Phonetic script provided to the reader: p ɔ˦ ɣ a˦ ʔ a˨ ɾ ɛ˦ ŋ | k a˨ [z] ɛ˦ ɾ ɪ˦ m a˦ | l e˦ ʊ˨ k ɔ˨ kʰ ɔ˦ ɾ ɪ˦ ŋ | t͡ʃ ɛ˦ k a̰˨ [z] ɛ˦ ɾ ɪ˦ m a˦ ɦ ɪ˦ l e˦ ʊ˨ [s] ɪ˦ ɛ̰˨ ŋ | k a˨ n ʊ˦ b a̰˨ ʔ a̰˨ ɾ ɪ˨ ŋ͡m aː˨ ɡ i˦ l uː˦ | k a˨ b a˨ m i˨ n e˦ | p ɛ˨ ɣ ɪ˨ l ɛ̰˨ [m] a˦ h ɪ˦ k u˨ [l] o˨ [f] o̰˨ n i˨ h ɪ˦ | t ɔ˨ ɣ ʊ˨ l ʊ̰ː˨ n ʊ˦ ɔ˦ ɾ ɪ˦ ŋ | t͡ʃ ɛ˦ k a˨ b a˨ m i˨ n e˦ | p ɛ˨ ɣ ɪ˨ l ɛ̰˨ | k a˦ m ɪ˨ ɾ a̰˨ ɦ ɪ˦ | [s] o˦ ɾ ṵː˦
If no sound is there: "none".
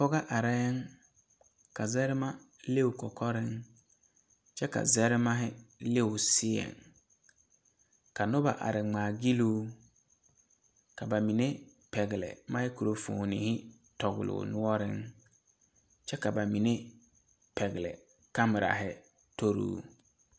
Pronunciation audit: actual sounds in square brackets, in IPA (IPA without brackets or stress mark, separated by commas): z, z, s, m, ɾ, f, t